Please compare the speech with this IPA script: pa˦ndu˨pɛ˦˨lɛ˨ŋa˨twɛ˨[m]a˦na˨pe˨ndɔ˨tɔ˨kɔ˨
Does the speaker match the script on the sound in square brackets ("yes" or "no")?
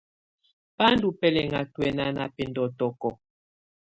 no